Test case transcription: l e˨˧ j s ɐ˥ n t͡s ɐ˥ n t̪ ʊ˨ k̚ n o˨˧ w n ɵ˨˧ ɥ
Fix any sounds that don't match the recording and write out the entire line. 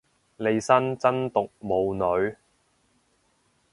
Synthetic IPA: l e˨˧ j s ɐ˥ n t͡s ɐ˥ n t̪ ʊ˨ k̚ m o˨˧ w n ɵ˨˧ ɥ